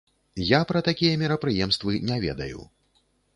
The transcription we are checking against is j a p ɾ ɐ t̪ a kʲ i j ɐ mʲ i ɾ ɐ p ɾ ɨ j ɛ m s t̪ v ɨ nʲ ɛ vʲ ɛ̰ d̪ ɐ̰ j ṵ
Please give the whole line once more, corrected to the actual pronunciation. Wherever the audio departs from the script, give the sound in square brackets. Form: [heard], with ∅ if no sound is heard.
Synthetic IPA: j a p ɾ ɐ t̪ a kʲ i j ɐ mʲ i ɾ ɐ p ɾ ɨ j ɛ m s t̪ v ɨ nʲ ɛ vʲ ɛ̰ d̪ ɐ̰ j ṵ